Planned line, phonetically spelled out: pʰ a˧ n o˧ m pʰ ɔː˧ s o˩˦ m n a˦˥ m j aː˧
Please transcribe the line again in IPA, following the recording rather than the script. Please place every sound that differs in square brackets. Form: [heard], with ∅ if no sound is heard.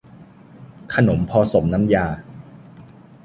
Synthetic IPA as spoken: [kʰ] a˧ n [o˩˦] m pʰ ɔː˧ s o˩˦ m n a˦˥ m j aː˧